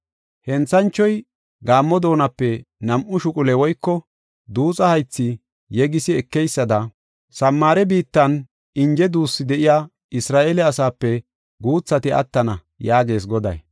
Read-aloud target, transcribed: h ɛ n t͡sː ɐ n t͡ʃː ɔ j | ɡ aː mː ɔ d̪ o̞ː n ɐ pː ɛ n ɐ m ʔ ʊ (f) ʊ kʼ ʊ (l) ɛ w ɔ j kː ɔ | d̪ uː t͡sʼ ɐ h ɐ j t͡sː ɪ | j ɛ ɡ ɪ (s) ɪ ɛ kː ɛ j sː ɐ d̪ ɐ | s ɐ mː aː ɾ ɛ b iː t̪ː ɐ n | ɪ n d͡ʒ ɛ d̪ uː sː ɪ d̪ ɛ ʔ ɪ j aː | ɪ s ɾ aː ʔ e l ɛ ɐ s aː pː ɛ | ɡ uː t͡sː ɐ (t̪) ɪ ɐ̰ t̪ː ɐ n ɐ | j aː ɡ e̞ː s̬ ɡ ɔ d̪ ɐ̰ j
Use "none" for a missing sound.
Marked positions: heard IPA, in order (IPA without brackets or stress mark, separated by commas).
ʃ, l, s, t̪